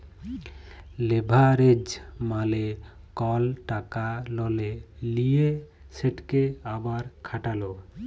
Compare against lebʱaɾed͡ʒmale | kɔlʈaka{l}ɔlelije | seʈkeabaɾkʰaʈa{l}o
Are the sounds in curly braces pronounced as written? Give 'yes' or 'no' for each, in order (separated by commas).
yes, yes